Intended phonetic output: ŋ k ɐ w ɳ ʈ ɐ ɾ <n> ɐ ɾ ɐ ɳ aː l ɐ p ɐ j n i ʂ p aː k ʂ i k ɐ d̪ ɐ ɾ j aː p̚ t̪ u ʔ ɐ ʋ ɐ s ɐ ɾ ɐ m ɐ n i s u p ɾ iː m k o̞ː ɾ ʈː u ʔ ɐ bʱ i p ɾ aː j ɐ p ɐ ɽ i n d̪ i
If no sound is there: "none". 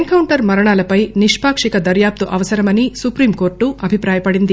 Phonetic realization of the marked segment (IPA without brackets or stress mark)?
m